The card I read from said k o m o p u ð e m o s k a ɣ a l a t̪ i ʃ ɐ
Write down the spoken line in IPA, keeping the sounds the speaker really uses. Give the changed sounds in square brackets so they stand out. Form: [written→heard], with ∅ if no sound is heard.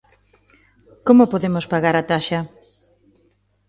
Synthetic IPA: k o m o p [u→o] ð e m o s [k→p] a ɣ a [l→ɾ] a t̪ [i→a] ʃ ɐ